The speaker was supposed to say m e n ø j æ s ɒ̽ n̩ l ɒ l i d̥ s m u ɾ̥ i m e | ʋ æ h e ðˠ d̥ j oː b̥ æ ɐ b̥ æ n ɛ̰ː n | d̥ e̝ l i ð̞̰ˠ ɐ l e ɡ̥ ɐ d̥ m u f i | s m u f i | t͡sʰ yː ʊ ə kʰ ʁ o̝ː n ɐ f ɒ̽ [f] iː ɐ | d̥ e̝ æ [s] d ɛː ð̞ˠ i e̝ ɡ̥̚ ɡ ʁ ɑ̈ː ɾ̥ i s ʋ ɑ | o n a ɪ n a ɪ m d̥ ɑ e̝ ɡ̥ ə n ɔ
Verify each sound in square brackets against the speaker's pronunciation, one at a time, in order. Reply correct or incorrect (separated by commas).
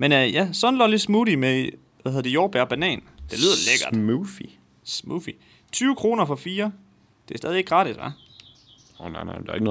correct, correct